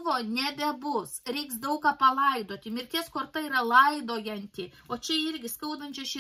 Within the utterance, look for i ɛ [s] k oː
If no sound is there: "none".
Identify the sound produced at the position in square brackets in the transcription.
s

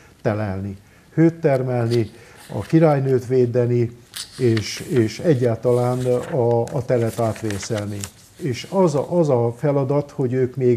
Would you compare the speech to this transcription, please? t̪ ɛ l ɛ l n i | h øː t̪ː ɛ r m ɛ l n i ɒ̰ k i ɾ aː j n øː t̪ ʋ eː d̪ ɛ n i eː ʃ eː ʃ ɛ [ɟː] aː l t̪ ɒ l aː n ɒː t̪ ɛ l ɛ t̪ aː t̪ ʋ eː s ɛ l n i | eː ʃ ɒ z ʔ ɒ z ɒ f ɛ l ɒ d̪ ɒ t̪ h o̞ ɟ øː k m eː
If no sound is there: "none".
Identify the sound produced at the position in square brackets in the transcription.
ɟː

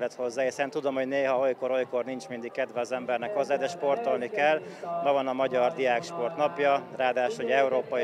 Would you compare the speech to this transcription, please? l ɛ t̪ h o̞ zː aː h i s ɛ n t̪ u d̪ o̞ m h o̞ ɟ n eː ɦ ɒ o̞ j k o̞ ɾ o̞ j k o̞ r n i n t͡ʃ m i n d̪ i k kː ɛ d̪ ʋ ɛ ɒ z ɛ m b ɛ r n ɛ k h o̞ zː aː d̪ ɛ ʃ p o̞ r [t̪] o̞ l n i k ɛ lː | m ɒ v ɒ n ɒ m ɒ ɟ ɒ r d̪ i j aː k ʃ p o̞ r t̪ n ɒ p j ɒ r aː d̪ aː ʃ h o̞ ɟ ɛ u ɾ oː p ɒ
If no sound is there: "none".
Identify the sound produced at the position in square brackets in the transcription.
t̪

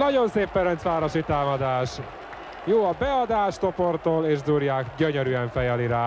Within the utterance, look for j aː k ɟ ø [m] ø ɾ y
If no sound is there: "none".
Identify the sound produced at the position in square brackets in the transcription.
ɲ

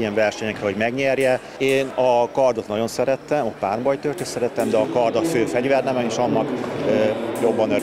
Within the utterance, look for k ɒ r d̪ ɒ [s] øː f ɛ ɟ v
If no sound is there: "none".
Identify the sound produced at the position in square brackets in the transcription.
f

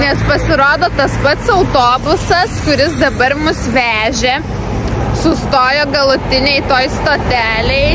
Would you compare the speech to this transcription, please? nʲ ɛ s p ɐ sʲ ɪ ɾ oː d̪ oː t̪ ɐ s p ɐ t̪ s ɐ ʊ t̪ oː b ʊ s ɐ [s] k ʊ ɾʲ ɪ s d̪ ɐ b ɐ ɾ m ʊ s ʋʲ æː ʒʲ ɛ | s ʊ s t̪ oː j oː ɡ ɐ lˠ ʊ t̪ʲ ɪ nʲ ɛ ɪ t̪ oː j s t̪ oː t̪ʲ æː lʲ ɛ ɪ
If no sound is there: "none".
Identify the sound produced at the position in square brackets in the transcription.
s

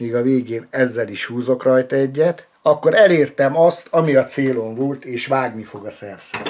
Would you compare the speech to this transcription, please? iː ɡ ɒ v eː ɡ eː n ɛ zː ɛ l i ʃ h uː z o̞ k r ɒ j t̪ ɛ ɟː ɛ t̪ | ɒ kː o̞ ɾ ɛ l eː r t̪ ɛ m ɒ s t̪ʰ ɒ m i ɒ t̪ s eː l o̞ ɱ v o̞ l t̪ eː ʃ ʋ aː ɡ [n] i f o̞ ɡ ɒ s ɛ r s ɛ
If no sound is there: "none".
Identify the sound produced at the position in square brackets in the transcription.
n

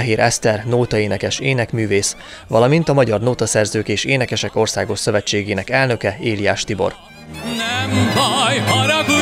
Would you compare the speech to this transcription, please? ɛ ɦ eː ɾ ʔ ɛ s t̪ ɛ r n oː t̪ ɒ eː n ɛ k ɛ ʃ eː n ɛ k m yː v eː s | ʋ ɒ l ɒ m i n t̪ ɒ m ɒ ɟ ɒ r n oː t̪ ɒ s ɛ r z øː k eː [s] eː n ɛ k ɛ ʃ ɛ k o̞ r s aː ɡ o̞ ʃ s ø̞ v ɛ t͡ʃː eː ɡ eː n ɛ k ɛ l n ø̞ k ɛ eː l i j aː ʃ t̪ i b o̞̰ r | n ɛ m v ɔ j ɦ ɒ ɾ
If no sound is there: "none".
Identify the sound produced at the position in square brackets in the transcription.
ʃ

